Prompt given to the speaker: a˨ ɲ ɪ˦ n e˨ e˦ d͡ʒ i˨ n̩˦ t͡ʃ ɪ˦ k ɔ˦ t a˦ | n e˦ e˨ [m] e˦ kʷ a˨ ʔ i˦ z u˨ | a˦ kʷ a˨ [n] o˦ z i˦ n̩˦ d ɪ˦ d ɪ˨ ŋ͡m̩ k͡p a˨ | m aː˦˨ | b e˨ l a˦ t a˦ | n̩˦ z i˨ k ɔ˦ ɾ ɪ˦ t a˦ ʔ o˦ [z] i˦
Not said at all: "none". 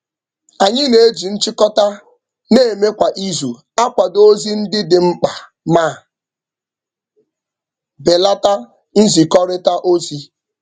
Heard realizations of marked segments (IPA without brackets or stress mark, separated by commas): m, d, z